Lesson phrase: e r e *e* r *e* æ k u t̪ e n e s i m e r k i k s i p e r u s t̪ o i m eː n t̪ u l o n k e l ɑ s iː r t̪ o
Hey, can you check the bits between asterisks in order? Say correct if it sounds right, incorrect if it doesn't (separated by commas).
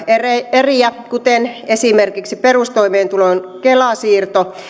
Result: correct, incorrect